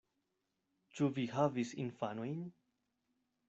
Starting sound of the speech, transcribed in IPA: t͡ʃ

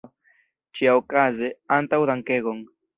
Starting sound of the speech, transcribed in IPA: t͡ʃ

